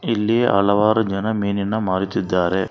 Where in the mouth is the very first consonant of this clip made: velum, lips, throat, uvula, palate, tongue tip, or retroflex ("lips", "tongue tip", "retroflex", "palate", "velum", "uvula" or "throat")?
tongue tip